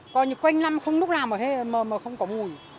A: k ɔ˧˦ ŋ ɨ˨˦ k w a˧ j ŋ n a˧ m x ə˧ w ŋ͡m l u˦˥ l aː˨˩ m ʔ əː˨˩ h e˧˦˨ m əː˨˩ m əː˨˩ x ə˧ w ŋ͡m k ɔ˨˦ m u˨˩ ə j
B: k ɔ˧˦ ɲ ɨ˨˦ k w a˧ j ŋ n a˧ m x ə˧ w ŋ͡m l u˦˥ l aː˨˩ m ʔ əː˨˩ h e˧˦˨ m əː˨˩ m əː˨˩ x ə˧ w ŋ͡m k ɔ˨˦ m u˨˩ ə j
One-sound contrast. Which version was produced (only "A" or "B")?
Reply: B